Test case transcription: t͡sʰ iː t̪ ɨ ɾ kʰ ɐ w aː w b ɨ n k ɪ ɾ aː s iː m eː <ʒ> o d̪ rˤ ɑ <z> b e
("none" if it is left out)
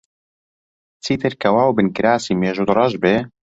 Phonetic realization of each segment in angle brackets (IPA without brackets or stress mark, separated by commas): ʒ, ʒ